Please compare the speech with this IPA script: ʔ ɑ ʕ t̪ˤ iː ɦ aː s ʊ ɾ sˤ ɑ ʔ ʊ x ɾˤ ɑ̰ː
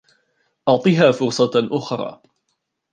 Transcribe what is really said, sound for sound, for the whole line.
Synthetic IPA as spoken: ʔ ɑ ʕ t̪ˤ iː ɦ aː f ʊ ɾ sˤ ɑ ʔ ʊ x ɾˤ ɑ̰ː